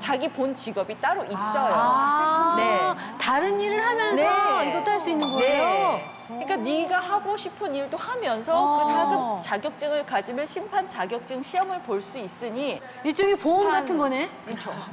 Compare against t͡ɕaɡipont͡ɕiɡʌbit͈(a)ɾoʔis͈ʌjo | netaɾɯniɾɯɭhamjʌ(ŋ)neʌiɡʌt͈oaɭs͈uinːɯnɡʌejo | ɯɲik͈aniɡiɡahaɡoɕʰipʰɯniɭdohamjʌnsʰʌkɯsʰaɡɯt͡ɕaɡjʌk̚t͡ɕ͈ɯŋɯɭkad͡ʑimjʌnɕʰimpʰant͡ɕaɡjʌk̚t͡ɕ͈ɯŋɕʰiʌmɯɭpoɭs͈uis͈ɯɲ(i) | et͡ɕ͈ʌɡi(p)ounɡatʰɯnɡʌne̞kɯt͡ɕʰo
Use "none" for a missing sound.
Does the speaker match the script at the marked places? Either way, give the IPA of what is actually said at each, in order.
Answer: a, n, i, p

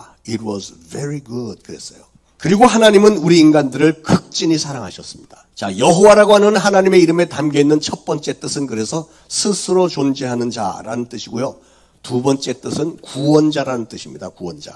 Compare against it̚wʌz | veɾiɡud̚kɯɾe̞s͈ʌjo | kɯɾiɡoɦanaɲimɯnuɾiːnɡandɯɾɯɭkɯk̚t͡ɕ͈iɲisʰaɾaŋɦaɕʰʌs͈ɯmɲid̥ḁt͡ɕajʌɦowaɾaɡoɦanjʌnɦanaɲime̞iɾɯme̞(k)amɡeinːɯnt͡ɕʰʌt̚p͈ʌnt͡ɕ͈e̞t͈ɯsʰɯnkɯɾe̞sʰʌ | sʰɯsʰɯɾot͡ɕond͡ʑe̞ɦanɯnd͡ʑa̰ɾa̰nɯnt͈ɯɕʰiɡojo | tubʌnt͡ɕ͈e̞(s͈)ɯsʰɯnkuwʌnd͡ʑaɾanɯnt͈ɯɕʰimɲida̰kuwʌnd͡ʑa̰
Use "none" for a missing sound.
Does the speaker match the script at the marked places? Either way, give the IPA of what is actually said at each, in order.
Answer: t, t͈

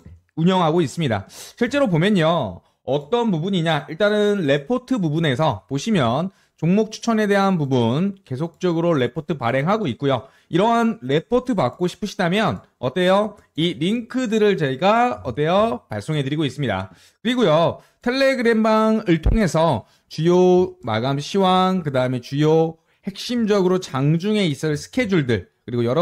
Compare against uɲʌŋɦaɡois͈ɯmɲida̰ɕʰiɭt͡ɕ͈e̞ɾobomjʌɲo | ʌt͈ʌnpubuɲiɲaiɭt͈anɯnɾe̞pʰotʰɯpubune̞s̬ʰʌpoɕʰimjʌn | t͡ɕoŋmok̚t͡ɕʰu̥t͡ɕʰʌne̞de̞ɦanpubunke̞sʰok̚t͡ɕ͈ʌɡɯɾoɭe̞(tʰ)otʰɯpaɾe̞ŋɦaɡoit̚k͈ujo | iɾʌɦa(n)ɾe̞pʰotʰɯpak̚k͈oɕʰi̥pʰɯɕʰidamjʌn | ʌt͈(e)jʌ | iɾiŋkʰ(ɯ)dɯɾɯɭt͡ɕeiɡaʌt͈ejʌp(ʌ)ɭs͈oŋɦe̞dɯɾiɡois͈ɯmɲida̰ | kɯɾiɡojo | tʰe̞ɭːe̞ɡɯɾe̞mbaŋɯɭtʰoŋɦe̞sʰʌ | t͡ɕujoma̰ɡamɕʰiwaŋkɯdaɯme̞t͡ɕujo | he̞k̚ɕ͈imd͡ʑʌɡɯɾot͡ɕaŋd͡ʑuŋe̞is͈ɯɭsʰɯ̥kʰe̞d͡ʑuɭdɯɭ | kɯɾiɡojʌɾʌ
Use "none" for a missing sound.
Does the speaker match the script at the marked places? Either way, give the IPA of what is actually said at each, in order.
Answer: pʰ, n, e, ɯ, a

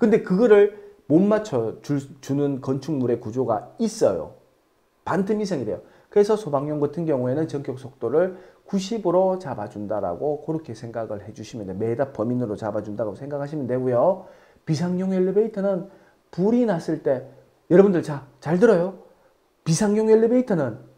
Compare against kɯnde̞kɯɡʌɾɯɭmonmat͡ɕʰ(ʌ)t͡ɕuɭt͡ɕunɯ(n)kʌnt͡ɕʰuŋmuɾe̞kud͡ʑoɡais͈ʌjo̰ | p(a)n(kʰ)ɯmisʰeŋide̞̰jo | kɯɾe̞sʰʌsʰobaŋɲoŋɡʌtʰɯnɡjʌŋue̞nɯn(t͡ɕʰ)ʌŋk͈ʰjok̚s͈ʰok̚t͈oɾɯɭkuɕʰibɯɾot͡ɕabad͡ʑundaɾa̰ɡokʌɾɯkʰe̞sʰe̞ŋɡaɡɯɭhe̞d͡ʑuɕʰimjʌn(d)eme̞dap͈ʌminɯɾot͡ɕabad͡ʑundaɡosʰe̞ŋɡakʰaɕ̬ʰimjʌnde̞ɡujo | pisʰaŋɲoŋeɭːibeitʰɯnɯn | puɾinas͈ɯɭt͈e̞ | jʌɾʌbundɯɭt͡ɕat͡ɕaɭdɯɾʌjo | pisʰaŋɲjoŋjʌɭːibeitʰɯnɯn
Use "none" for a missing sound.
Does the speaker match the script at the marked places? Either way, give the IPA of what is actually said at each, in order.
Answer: ʌ, n, a, tʰ, t͡ɕ, d

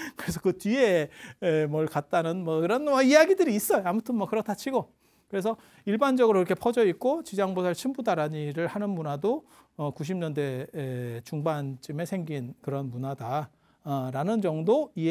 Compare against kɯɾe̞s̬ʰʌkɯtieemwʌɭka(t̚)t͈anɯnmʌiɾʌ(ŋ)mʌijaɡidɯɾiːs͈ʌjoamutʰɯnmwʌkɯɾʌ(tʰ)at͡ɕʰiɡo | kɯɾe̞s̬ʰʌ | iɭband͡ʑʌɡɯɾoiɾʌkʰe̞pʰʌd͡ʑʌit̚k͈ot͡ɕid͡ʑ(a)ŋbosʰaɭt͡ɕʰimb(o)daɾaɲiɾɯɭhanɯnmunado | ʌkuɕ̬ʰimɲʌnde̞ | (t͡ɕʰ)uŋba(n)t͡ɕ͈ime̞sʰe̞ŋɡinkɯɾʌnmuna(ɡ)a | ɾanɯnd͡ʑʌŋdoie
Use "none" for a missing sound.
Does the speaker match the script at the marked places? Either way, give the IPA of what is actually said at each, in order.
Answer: t̚, n, tʰ, a, u, t͡ɕ, n, d

